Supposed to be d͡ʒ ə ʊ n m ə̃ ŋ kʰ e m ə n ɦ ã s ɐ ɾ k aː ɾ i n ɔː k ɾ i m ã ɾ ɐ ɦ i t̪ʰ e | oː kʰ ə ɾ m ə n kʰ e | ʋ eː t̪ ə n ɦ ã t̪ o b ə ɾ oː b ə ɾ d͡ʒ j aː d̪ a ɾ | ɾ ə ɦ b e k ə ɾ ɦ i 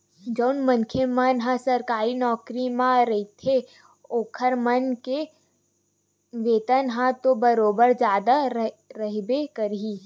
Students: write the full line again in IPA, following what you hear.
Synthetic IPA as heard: d͡ʒ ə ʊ n m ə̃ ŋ kʰ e m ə n ɦ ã s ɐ ɾ k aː ɾ i n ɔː k ɾ i m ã ɾ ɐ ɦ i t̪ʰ e | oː kʰ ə ɾ m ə n k e | ʋ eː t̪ ə n ɦ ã t̪ o b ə ɾ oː b ə ɾ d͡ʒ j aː d̪ a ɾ | ɾ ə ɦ b e k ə ɾ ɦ i